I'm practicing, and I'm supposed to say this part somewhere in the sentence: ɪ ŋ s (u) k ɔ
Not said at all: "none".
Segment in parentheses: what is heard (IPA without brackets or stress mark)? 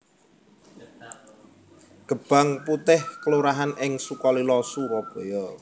u